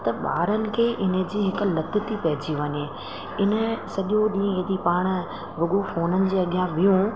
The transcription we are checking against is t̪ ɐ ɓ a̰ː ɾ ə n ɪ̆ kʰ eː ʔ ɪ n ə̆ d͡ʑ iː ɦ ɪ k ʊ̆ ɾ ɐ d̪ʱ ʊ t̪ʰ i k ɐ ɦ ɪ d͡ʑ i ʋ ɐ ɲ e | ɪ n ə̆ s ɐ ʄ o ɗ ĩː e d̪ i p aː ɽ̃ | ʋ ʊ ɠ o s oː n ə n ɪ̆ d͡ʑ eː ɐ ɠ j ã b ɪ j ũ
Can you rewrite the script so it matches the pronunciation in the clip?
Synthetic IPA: t̪ ɐ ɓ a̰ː ɾ ə n ɪ̆ kʰ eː ʔ ɪ n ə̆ d͡ʑ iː ɦ ɪ k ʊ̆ l ɐ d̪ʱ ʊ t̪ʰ i p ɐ ɦ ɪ d͡ʑ i ʋ ɐ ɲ e | ɪ n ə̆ s ɐ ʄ o ɗ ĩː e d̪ i p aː ɽ̃ | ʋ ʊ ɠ o f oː n ə n ɪ̆ d͡ʑ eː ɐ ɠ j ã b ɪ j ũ